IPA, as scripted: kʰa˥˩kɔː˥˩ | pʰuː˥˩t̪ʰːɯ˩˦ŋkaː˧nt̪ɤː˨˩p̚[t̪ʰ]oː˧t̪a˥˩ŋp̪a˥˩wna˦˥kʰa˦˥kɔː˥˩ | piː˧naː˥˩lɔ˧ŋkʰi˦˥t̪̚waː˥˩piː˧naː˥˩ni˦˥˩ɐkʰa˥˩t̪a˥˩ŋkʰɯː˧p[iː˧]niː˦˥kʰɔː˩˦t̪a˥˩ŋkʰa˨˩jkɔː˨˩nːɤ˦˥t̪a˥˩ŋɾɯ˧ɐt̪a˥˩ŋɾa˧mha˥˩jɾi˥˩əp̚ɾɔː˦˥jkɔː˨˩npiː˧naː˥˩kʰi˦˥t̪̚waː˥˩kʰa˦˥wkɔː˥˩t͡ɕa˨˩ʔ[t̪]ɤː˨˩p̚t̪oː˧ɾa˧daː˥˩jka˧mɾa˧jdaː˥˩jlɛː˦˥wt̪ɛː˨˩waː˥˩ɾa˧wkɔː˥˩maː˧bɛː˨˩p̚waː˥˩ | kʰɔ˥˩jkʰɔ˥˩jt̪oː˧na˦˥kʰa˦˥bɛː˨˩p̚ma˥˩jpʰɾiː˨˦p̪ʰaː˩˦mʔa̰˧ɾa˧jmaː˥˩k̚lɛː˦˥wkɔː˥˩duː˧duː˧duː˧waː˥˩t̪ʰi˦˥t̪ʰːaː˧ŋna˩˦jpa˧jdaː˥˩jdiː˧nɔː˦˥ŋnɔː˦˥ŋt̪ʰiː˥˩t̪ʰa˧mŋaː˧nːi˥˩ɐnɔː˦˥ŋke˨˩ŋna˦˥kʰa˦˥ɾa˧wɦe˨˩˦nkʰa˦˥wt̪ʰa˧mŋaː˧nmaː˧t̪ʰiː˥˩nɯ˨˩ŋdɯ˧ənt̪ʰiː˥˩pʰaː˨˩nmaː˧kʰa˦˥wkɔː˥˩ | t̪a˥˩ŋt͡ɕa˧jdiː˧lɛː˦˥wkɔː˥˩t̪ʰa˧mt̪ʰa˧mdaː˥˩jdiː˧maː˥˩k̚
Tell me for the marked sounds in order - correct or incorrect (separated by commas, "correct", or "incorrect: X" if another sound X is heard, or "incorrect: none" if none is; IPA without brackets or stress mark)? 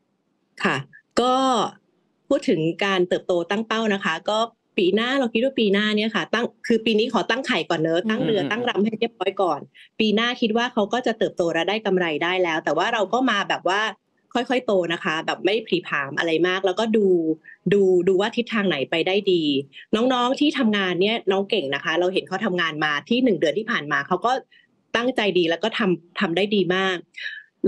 incorrect: t̪, correct, correct